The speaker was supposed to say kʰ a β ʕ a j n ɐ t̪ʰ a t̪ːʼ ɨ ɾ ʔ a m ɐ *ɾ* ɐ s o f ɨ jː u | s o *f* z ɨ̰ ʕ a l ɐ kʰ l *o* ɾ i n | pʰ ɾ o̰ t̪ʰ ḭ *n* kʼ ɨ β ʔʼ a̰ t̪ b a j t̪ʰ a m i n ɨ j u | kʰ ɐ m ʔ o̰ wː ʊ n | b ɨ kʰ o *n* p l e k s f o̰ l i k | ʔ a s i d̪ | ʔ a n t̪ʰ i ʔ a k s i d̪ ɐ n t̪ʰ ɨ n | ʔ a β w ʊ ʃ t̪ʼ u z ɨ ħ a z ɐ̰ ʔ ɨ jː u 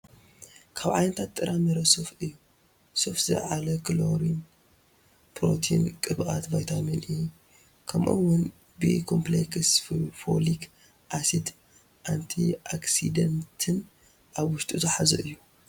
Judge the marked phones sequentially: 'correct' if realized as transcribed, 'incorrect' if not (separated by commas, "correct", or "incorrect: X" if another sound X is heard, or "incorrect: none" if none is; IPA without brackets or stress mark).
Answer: correct, correct, correct, correct, incorrect: m